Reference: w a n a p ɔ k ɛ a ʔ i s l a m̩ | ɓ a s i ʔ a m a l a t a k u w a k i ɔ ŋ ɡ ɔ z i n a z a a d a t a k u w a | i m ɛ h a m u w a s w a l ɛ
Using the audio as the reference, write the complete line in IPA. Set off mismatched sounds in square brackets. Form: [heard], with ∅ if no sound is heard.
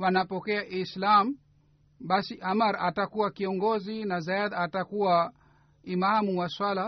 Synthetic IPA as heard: w a n a p ɔ k ɛ a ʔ i s l a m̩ | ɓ a s i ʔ a m a [ɾ] a t a k u w a k i ɔ ŋ ɡ ɔ z i n a z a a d a t a k u w a | i m [a] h a m u w a s w a l [a]